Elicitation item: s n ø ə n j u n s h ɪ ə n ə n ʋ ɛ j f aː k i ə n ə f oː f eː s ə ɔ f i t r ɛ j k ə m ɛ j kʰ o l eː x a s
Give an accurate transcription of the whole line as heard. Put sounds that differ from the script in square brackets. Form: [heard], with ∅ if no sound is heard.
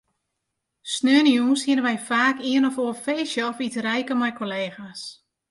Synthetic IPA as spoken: s n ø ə n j u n s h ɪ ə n ə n ʋ ɛ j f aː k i ə n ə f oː f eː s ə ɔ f i t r ɛ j k ə m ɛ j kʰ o l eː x a s